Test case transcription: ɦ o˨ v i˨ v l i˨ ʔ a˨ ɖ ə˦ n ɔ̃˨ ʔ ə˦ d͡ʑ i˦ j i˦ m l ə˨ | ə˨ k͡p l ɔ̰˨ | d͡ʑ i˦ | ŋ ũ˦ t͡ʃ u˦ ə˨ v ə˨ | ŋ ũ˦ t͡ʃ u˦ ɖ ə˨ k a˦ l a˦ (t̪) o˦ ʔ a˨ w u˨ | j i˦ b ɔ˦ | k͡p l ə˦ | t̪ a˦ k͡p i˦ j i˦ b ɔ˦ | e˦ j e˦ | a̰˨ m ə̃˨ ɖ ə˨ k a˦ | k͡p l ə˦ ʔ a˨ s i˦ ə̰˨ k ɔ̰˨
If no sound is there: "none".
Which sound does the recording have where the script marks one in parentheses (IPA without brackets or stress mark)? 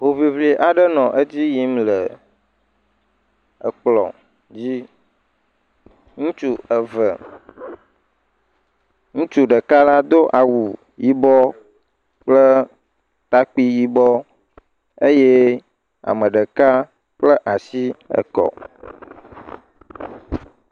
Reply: d̪